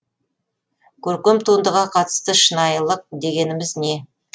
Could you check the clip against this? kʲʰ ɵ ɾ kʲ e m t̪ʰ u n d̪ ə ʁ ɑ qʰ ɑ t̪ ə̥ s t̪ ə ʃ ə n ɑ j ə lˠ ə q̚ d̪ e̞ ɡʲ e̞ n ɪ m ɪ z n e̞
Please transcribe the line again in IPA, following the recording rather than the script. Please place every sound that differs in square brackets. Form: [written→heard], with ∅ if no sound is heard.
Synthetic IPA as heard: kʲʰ ɵ ɾ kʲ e m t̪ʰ u n d̪ ə ʁ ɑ qʰ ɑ t̪ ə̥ s t̪ ə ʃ ə n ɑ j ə lˠ ə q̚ d̪ e̞ ɡʲ e̞ n ɪ m ɪ z n e̞